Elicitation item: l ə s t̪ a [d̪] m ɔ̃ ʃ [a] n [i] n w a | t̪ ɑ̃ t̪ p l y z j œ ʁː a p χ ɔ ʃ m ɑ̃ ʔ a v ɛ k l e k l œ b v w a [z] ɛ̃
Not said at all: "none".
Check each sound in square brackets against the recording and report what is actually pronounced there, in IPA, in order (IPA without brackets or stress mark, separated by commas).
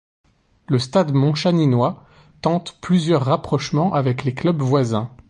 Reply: d̪, a, i, z